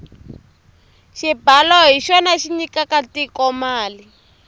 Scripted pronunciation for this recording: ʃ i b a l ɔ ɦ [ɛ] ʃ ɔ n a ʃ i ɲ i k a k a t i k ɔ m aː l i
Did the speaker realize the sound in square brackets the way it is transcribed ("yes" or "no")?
no